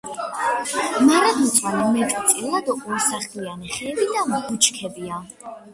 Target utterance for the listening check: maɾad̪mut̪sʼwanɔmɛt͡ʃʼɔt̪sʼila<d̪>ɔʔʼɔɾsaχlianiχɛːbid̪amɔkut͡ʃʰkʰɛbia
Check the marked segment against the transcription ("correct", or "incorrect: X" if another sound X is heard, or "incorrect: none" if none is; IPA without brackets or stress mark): correct